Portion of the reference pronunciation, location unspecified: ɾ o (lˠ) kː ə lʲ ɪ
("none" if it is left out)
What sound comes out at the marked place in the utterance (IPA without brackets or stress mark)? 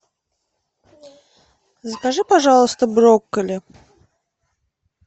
none